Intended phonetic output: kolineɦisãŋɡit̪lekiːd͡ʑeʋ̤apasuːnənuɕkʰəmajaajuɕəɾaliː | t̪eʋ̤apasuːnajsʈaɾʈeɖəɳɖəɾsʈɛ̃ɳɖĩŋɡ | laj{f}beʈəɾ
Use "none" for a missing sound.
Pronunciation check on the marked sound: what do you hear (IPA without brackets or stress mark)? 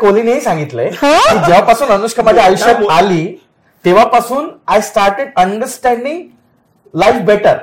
f